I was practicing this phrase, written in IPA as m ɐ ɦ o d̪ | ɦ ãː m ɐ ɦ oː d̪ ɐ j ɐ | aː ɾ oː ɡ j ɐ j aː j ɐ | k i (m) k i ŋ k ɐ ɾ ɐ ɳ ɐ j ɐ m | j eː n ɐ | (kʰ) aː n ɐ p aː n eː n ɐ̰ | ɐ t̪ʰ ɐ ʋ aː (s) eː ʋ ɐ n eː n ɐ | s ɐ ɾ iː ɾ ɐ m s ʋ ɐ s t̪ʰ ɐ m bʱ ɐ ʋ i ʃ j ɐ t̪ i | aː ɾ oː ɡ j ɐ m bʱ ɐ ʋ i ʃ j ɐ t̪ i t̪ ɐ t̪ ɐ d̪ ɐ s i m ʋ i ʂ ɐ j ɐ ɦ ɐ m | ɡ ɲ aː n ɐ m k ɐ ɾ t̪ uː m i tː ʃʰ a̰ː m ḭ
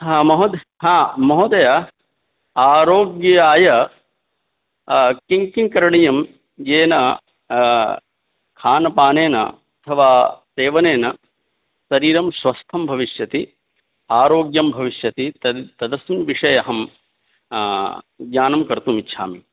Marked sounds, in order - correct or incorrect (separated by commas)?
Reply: incorrect, correct, correct